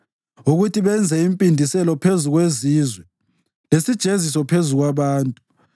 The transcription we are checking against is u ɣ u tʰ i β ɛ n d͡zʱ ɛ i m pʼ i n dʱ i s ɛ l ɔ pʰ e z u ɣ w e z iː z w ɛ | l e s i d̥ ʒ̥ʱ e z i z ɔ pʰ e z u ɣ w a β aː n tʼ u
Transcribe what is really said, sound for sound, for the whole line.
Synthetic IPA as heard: u ɣ u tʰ i β ɛ n d͡zʱ ɛ i m pʼ i n dʱ i s ɛ l ɔ pʰ e z u ɣ w e z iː z w ɛ | l e s i d̥ ʒ̥ʱ e z i s ɔ pʰ e z u ɣ w a β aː n tʼ u